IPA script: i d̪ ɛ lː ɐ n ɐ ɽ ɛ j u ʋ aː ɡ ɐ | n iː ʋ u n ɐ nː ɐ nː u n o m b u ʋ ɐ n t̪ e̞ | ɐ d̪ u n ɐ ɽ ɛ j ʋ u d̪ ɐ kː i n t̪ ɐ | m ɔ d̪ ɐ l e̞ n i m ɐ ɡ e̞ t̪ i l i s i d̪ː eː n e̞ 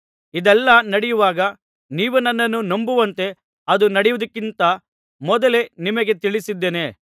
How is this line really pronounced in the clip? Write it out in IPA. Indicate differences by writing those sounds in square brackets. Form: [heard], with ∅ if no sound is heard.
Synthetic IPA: i d̪ ɛ lː ɐ n ɐ ɽ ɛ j u ʋ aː ɡ ɐ | n iː ʋ u n ɐ nː ɐ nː u n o m b u ʋ ɐ n t̪ e̞ | ɐ d̪ u n ɐ ɽ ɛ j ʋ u d̪ ɐ kː i n t̪ ɐ | m ɔ d̪ ɐ l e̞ n i m ɐ ɡ e̞ t̪ i [ɭ] i s i d̪ː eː n e̞